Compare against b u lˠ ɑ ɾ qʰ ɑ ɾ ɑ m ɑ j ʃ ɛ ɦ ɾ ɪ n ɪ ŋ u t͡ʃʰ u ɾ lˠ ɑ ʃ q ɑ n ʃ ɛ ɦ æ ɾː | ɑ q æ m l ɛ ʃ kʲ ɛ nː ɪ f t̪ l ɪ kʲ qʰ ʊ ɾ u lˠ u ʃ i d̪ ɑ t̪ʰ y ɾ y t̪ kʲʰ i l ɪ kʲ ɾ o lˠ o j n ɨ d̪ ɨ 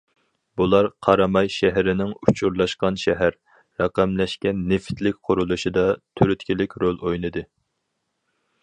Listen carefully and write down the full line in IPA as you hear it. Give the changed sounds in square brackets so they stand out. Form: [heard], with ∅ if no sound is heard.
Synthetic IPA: b u lˠ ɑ ɾ qʰ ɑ ɾ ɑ m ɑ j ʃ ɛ ɦ ɾ ɪ n ɪ ŋ u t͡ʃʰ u ɾ lˠ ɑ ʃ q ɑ n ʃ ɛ ɦ æ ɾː | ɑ q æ m l ɛ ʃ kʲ ɛ nː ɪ f t̪ l ɪ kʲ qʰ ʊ ɾ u lˠ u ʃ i d̪ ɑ t̪ʰ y ɾ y t̪ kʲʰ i l ɪ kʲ ɾ o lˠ o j n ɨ d̪ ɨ